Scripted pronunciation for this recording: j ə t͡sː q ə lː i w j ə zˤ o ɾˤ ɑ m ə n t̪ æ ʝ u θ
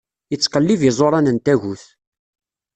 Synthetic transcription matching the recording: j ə t͡sː q ə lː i v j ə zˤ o ɾˤ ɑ n ə n t̪ æ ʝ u θ

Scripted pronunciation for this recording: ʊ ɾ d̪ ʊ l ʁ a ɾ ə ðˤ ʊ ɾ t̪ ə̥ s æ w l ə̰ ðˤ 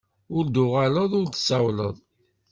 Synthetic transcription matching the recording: ʊ ɾ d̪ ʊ ʁ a l ə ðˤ ʊ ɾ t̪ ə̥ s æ w l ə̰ ðˤ

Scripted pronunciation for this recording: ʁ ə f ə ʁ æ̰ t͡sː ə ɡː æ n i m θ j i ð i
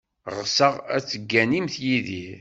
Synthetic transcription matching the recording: ʁ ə s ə ʁ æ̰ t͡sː ə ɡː æ n i m θ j i ð i

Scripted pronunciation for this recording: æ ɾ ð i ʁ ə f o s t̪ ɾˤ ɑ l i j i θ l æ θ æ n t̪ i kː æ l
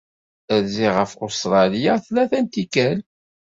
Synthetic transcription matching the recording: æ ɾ z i ʁ ə f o s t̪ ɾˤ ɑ l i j a θ l æ θ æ n t̪ i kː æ l

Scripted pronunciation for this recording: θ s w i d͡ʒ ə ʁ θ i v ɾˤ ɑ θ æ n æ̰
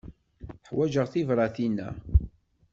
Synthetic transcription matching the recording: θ ħ w æ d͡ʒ ə ʁ θ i v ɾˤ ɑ θ i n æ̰

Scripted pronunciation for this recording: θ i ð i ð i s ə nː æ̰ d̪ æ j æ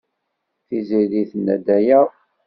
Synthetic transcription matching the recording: θ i z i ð i θ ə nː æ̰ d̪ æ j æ

